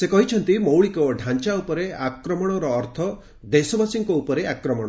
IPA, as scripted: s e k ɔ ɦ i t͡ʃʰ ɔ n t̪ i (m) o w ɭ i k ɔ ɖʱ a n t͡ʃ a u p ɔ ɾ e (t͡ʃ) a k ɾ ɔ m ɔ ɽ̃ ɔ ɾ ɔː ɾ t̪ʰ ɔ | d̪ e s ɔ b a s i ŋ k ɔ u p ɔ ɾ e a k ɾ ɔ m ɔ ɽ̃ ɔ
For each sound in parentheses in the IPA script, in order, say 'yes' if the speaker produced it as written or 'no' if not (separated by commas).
yes, no